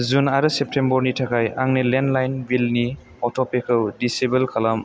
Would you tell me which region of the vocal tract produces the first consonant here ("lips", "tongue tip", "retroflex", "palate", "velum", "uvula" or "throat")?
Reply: tongue tip